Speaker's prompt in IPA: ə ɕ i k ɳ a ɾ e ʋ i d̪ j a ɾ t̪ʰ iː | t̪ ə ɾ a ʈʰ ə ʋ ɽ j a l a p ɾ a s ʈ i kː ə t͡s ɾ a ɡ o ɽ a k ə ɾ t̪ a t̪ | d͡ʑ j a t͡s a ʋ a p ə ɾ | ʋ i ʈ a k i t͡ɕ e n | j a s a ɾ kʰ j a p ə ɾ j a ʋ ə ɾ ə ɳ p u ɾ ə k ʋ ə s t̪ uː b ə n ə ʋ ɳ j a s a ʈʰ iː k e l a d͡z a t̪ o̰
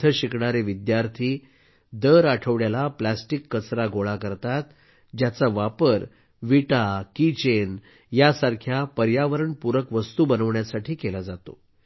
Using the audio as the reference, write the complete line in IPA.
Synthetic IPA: ə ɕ i k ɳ a ɾ e ʋ i d̪ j a ɾ t̪ʰ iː | d̪ ə ɾ a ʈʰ ə ʋ ɽ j a l a p l a s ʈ i kː ə t͡s ɾ a ɡ o ɭ a k ə ɾ t̪ a t̪ | d͡ʑ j a t͡s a ʋ a p ə ɾ | ʋ i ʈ a k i t͡ɕ e n | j a s a ɾ kʰ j a p ə ɾ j a ʋ ə ɾ ə ɳ p u ɾ ə k ʋ ə s t̪ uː b ə n ə ʋ ɳ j a s a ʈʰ iː k e l a d͡z a t̪ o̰